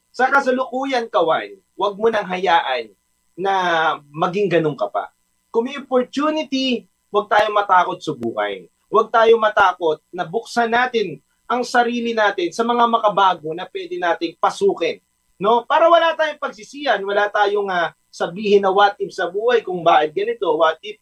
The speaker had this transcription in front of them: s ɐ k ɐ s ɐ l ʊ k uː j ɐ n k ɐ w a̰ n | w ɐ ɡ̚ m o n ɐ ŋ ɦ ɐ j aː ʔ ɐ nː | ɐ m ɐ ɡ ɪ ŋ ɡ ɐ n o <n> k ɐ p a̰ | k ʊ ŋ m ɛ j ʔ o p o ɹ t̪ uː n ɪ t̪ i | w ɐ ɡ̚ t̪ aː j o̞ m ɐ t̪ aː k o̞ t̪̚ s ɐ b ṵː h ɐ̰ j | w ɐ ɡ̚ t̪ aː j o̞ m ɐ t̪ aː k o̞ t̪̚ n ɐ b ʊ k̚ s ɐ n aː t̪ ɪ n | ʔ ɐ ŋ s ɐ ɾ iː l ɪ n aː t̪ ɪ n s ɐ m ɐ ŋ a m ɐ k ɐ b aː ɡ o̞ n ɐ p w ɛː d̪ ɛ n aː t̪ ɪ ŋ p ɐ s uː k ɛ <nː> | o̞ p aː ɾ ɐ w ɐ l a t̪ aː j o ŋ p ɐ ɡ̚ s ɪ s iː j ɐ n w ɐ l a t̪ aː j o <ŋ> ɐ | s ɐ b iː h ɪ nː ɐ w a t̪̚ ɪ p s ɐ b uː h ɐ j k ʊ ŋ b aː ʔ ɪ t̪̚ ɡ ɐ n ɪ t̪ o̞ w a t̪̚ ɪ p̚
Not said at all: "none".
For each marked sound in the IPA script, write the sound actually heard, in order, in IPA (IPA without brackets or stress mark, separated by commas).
ŋ, nː, ŋ